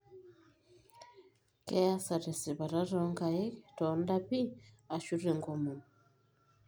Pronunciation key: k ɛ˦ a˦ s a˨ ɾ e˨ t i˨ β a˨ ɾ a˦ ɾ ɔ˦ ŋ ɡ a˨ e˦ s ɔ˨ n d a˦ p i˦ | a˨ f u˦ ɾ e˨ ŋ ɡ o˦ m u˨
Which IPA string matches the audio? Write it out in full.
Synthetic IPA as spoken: k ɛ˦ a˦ s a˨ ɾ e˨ s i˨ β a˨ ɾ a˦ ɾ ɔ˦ ŋ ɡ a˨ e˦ t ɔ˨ n d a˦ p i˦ | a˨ ʃ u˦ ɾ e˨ ŋ ɡ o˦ m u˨